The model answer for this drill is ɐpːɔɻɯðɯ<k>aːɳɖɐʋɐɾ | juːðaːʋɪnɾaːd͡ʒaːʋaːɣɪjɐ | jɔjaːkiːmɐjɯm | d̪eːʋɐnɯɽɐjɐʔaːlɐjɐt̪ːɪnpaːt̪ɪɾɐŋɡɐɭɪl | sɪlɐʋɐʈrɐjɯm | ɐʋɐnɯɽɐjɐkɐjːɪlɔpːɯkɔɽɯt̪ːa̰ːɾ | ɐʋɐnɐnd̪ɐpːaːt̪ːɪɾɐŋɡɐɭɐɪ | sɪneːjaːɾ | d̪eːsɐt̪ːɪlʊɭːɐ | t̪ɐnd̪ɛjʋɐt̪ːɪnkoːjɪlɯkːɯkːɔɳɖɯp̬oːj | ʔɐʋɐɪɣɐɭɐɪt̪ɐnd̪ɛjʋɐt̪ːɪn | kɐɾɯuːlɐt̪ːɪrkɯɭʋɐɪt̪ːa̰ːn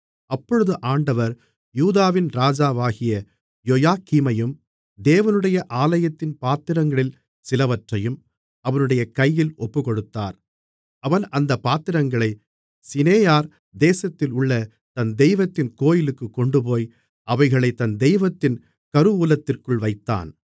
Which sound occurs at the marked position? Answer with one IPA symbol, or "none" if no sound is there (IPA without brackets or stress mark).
ʔ